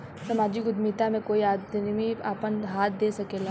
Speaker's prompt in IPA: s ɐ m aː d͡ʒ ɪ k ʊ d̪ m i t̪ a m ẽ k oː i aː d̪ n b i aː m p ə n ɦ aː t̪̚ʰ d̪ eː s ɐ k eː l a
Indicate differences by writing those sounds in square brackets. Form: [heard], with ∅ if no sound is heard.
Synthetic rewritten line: s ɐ m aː d͡ʒ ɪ k ʊ d̪ m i t̪ a m ẽ k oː i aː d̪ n [m] i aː [∅] p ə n ɦ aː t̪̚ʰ d̪ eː s ɐ k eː l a